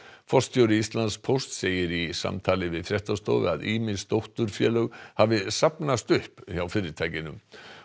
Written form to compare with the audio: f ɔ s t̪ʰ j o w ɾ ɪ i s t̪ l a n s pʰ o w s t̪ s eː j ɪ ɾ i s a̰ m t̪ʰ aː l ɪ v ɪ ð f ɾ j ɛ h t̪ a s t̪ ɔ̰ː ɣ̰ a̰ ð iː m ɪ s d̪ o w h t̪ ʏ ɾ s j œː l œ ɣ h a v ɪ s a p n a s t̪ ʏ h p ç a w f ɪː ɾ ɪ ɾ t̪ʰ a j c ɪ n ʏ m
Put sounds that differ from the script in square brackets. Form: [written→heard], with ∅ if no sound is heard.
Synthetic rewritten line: f ɔ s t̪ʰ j o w ɾ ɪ i s t̪ l a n s pʰ o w s t̪ s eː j ɪ ɾ i s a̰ m t̪ʰ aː l ɪ v ɪ ð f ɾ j ɛ h t̪ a s t̪ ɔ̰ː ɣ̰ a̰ ð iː m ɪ s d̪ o w h t̪ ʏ ɾ [s→f] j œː l œ ɣ h a v ɪ s a p n a s t̪ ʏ h p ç a w f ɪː ɾ ɪ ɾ t̪ʰ a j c ɪ n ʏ m

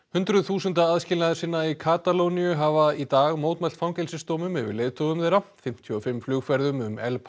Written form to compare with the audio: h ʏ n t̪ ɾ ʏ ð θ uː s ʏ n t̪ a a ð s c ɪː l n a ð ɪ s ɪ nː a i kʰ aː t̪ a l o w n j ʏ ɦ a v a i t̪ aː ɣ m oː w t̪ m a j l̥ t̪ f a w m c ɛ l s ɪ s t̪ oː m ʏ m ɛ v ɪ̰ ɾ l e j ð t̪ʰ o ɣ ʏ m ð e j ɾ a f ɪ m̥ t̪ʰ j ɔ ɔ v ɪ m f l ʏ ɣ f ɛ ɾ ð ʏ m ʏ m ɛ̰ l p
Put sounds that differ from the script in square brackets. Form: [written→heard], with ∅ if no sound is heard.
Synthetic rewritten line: h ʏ n t̪ ɾ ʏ ð θ uː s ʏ n t̪ a a ð s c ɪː l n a ð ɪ s ɪ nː a i kʰ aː t̪ a l o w n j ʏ ɦ a v a i t̪ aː ɣ m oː w t̪ m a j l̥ t̪ f a w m c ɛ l s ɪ s t̪ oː m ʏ m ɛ v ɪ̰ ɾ l e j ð t̪ʰ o ɣ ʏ m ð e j ɾ a f ɪ m̥ t̪ʰ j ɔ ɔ [v→f] ɪ m f l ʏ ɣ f ɛ ɾ ð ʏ m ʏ m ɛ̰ l p

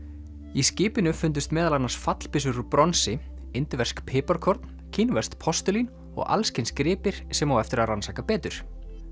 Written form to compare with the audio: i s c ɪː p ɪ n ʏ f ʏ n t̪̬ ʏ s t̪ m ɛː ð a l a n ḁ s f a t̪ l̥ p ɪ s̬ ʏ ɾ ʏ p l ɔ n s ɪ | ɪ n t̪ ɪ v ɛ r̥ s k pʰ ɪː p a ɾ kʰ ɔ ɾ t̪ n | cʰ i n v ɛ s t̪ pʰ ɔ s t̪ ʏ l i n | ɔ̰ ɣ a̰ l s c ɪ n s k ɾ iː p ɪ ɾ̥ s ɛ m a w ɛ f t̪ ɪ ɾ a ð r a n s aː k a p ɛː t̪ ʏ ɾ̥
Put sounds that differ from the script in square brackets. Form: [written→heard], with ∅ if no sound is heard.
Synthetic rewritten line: i s c ɪː p ɪ n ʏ f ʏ n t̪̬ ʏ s t̪ m ɛː ð a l a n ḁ s f a t̪ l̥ p ɪ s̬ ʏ ɾ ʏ p [l→ɾ] ɔ n s ɪ | ɪ n t̪ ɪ v ɛ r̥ s k pʰ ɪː p a ɾ kʰ ɔ ɾ t̪ n | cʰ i n v ɛ s t̪ pʰ ɔ s t̪ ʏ l i n | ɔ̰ ɣ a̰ l s c ɪ n s k ɾ [iː→ɪː] p ɪ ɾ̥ s ɛ m a w ɛ f t̪ ɪ ɾ a ð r a n s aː k a p ɛː t̪ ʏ ɾ̥

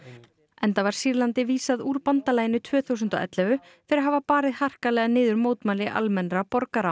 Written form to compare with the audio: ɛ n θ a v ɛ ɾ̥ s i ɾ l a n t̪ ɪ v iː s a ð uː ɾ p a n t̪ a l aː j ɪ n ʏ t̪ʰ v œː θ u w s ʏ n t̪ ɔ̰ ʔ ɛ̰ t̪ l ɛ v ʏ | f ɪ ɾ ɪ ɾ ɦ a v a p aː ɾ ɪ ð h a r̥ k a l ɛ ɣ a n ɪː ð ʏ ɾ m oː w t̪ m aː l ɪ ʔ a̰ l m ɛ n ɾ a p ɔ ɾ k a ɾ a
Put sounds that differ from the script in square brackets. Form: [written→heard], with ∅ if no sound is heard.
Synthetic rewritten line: ɛ n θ a v [ɛ→a] ɾ̥ s i ɾ l a n t̪ ɪ v iː s a ð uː ɾ p a n t̪ a l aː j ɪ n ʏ t̪ʰ v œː θ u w s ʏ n t̪ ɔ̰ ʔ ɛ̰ t̪ l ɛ v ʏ | f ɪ ɾ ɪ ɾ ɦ a v a p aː ɾ ɪ ð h a r̥ k a l ɛ ɣ a n ɪː ð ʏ ɾ m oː w t̪ m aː l ɪ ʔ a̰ l m ɛ n ɾ a p ɔ ɾ k a ɾ a

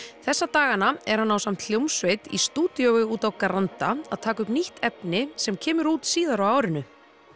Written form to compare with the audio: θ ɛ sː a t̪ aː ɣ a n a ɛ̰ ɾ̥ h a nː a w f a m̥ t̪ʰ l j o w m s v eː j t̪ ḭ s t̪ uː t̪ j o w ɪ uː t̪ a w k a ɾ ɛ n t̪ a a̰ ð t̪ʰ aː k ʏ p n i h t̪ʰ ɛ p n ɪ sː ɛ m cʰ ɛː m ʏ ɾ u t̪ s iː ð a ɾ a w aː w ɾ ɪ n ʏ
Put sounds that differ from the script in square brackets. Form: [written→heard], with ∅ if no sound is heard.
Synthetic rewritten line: θ ɛ sː a t̪ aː ɣ a n a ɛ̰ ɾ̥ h a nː a w [f→s] a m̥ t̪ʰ l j o w m s v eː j t̪ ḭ s t̪ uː t̪ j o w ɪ uː t̪ a w k a ɾ [ɛ→a] n t̪ a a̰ ð t̪ʰ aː k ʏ p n i h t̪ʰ ɛ p n ɪ [sː→s] ɛ m cʰ ɛː m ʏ ɾ [u→uː] t̪ s iː ð a ɾ a w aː w ɾ ɪ n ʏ

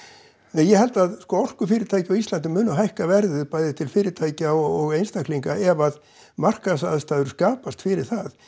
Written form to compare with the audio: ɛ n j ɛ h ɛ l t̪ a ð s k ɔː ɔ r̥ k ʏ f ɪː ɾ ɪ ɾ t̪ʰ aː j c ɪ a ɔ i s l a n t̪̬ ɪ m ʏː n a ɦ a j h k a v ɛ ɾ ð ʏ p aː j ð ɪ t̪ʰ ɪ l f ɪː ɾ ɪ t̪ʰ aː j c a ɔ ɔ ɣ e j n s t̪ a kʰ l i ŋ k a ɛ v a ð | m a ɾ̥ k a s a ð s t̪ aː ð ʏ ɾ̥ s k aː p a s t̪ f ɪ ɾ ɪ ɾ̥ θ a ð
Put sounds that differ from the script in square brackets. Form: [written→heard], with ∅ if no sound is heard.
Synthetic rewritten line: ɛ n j ɛ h ɛ l t̪ a ð s k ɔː ɔ r̥ k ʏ f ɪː ɾ ɪ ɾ t̪ʰ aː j c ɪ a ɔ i s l a n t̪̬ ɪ m ʏː n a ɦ a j h k a v ɛ ɾ ð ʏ p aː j ð ɪ t̪ʰ ɪ l f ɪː ɾ ɪ t̪ʰ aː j c a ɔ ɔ ɣ e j n s t̪ a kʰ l i ŋ k a ɛ v a ð | m a [ɾ̥→r̥] k a s a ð s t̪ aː ð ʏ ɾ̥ s k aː p a s t̪ f ɪ ɾ ɪ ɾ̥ θ a ð

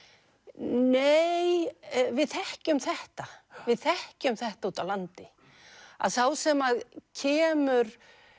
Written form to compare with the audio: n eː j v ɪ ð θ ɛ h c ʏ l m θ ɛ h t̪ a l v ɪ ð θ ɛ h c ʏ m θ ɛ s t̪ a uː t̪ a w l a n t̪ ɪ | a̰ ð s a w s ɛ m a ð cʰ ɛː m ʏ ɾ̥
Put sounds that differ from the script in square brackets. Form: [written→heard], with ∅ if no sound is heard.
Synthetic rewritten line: n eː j v ɪ ð θ ɛ h c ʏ [l→∅] m θ ɛ h t̪ a [l→∅] v ɪ ð θ ɛ h c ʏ m θ ɛ [s→h] t̪ a uː t̪ a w l a n t̪ ɪ | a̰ ð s a w s ɛ m a ð cʰ ɛː m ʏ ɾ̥

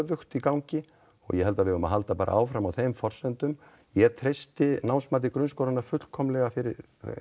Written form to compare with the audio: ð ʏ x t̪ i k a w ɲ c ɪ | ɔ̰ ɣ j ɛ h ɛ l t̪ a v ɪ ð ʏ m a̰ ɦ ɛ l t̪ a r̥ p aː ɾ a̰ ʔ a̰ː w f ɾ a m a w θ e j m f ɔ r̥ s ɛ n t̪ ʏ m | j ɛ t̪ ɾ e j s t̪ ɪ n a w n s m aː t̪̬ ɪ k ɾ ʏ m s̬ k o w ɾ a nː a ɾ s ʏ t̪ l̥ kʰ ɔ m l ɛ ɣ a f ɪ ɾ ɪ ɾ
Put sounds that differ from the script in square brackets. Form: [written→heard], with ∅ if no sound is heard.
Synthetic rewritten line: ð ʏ x t̪ i k a w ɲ c ɪ | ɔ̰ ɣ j ɛ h ɛ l t̪ a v ɪ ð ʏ m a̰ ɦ [ɛ→a] l t̪ a [r̥→∅] p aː ɾ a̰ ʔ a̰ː w f ɾ a m a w θ e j m f ɔ r̥ s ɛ n t̪ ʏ m | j ɛ [t̪→t̪ʰ] ɾ e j s t̪ ɪ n a w n s m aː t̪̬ ɪ k ɾ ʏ [m→n] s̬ k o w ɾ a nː a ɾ [s→f] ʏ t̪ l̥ kʰ ɔ m l ɛ ɣ a f ɪ ɾ ɪ ɾ

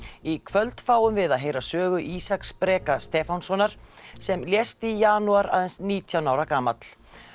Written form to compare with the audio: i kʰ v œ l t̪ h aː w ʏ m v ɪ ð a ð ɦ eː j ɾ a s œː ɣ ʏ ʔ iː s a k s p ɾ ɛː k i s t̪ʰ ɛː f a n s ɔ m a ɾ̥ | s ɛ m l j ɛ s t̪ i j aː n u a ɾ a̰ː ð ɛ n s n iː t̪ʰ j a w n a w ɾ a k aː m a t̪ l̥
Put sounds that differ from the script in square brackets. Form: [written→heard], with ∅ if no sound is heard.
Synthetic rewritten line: i kʰ v œ l t̪ [h→f] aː w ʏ m v ɪ ð a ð ɦ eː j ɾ a s œː ɣ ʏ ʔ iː s a k s p ɾ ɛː k [i→a] s [t̪ʰ→t̪] ɛː f a n s ɔ [m→n] a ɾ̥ | s ɛ m l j ɛ s t̪ i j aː n u a ɾ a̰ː ð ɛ n s n iː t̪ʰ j a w n a w ɾ a k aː m a t̪ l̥

